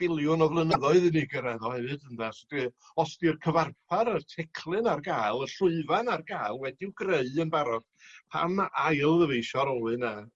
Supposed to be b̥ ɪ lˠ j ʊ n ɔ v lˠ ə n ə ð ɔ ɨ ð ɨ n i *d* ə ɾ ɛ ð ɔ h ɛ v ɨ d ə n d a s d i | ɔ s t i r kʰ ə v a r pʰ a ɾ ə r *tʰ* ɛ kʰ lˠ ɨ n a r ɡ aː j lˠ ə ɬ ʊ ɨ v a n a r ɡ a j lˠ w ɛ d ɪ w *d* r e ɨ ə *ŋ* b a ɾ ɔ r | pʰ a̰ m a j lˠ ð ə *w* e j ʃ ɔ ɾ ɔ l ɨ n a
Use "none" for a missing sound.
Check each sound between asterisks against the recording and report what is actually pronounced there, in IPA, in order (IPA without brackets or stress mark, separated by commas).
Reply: ɡ, tʰ, ɡ, n, v